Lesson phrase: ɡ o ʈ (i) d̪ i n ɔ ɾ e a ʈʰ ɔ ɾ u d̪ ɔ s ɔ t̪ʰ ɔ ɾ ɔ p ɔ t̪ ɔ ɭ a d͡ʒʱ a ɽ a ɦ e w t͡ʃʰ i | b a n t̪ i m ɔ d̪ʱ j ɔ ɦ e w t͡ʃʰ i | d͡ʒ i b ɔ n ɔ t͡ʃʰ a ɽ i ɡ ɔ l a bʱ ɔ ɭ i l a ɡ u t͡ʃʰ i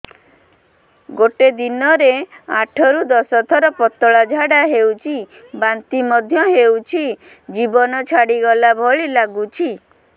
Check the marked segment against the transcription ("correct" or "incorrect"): incorrect